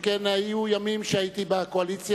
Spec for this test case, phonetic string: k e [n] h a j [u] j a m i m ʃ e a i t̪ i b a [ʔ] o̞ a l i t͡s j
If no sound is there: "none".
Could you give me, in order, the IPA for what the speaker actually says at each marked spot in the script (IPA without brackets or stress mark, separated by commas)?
n, u, k